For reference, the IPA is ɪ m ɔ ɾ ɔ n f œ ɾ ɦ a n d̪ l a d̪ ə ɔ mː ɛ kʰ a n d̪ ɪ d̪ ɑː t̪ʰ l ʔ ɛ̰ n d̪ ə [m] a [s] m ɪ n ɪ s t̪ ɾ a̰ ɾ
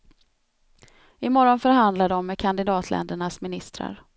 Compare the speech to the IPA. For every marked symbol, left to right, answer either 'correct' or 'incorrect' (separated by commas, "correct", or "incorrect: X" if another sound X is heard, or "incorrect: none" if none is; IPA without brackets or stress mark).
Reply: incorrect: ɳ, correct